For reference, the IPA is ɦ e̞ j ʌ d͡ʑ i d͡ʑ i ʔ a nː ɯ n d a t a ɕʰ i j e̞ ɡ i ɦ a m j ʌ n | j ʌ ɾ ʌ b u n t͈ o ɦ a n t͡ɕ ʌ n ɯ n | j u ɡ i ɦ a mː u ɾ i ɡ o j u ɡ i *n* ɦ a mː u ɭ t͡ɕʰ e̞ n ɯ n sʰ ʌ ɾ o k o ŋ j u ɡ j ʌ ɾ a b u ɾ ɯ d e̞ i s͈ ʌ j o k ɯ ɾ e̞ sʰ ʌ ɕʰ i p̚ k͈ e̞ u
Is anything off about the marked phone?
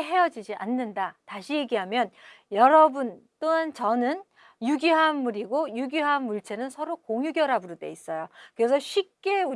yes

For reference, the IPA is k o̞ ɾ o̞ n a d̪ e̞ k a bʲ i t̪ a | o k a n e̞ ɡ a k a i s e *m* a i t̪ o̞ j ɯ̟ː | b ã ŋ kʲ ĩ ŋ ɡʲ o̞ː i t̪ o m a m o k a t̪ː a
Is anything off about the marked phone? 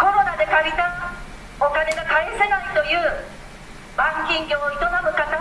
yes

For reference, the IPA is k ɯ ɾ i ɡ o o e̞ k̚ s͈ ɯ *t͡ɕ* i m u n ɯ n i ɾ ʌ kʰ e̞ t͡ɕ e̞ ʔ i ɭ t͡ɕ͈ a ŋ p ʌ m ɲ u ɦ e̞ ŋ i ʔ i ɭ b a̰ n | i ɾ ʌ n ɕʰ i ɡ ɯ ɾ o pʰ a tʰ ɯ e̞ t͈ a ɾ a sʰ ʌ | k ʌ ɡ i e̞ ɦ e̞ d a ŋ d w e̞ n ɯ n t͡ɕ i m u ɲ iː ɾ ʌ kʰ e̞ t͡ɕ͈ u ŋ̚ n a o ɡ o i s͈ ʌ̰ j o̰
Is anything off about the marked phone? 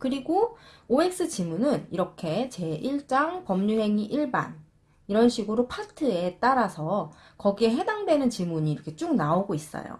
no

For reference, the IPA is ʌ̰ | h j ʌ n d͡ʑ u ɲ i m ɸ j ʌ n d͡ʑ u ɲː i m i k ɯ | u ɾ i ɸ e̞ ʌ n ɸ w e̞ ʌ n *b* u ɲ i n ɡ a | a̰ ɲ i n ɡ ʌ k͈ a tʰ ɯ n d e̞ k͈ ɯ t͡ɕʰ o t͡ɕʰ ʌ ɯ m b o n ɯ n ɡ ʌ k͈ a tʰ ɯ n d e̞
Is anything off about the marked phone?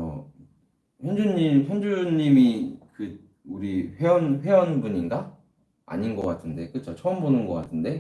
no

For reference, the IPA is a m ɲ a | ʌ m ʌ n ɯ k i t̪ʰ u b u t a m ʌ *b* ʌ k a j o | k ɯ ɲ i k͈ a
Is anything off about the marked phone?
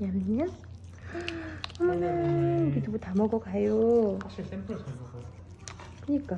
yes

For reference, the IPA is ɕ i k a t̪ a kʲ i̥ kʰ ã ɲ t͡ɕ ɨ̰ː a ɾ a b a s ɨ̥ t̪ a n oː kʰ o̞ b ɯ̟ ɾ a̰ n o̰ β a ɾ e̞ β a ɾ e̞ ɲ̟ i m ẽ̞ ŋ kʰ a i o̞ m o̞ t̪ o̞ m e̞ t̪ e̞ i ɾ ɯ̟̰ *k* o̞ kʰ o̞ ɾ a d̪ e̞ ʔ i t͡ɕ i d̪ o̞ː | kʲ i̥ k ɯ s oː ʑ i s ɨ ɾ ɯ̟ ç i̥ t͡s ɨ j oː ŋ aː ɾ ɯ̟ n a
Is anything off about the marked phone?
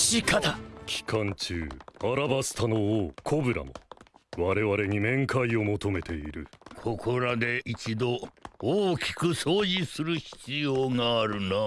yes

